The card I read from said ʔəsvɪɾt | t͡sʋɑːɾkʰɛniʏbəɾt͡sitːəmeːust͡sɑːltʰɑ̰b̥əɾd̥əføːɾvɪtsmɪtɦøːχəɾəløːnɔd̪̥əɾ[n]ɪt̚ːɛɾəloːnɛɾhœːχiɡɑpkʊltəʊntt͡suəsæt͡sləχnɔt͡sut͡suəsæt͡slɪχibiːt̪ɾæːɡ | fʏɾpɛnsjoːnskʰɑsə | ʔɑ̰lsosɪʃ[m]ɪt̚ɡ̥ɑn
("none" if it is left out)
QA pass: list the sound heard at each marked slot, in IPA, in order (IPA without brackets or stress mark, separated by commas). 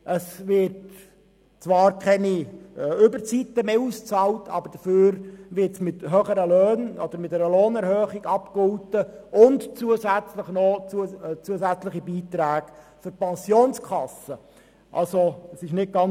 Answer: m, n